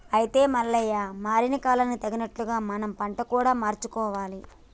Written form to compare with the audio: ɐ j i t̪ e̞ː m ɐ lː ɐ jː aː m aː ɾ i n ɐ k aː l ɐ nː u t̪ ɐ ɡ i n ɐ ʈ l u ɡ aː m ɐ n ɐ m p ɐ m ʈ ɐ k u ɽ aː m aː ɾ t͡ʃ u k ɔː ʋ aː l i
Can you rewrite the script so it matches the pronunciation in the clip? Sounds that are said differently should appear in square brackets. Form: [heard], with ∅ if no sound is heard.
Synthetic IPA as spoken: ɐ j i t̪ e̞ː m ɐ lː ɐ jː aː m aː ɾ i n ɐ k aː l ɐ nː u t̪ ɐ ɡ i n ɐ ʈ l u ɡ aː m ɐ n ɐ m p ɐ [ɳ] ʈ ɐ k [uː] ɽ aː m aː ɾ t͡ʃ u k ɔː ʋ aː l i